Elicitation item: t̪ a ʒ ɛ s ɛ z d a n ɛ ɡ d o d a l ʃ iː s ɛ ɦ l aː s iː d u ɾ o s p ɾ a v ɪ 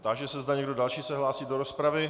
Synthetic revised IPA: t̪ a ʒ ɛ s ɛ z d a ɲ ɛ ɡ d o d a l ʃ iː s ɛ ɦ l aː s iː d o ɾ o s p ɾ a v ɪ